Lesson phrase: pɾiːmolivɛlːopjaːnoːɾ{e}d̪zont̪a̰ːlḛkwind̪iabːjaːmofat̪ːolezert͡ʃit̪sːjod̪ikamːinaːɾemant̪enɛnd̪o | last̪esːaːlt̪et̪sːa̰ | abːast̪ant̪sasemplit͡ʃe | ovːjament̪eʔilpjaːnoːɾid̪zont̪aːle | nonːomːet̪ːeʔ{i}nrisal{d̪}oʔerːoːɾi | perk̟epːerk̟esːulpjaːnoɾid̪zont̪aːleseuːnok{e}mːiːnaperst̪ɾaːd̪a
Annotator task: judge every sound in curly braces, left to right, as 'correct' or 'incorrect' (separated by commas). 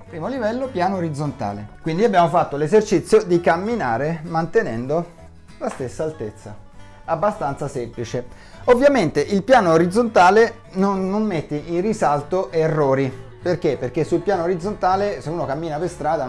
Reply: incorrect, correct, incorrect, incorrect